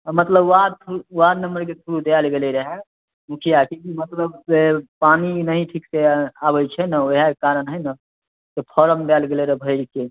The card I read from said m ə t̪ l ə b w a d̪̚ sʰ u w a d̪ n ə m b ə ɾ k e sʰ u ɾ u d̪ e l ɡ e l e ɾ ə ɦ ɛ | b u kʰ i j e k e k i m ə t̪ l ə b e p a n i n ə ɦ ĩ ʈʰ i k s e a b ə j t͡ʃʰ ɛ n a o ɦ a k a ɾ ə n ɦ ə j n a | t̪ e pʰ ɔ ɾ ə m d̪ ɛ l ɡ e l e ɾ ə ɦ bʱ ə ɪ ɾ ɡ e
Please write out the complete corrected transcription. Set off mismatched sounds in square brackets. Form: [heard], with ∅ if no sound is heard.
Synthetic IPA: m ə t̪ l ə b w a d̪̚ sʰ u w a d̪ n ə m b ə ɾ k e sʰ u ɾ u d̪ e l ɡ e l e ɾ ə ɦ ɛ | [m] u kʰ i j [a] k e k i m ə t̪ l ə b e p a n i n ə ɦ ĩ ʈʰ i k s e a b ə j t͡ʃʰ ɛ n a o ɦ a k a ɾ ə n ɦ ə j n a | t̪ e pʰ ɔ ɾ ə m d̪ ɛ l ɡ e l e ɾ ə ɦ bʱ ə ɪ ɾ [k] e